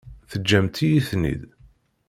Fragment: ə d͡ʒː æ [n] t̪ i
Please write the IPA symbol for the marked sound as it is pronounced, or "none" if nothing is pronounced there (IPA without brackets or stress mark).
m